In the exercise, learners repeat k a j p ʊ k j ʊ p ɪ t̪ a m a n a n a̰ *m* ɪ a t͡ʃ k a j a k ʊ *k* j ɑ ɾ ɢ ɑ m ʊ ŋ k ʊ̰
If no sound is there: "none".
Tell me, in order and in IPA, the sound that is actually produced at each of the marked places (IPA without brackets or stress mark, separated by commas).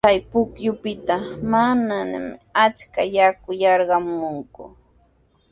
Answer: m, none